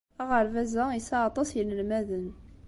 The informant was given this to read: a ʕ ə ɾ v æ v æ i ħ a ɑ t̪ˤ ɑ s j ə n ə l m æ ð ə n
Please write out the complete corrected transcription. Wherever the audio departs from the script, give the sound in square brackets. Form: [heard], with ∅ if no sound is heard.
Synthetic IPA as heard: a [ʁ] ə ɾ v æ [z] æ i [s] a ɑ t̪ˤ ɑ s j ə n ə l m æ ð ə n